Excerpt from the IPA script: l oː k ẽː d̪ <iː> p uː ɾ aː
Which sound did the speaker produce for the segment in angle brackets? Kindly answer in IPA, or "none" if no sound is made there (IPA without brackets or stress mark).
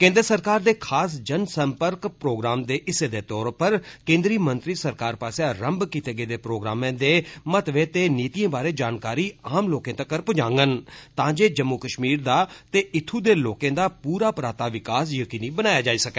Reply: aː